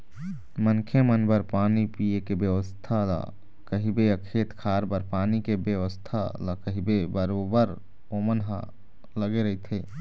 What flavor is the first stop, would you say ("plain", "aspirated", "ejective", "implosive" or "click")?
aspirated